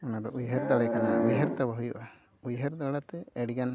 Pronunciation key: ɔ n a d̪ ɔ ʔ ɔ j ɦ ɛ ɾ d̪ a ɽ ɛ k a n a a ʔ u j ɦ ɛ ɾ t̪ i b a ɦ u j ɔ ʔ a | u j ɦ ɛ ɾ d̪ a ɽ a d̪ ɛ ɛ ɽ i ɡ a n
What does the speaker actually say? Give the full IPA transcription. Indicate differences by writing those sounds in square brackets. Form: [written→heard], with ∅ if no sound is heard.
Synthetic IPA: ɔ n a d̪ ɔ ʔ [ɔ→u] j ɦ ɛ ɾ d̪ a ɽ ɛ k a n a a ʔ u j ɦ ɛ ɾ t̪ [i→a] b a ɦ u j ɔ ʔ a | u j ɦ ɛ ɾ d̪ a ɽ a [d̪→t̪] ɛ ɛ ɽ i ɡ a n